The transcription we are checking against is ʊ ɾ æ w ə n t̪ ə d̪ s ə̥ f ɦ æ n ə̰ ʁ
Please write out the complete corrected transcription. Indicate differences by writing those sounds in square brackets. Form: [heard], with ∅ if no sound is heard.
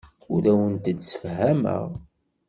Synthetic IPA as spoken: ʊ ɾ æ w ə n t̪ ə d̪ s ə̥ f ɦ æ [m] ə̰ ʁ